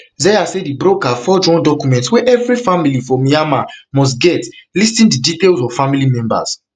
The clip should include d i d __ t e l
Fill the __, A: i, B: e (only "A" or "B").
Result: A